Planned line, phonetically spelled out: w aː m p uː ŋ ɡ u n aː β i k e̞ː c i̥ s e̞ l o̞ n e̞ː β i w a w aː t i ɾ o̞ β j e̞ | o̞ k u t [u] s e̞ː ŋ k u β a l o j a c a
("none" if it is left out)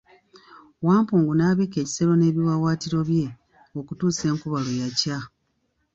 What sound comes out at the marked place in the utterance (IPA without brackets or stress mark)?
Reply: uː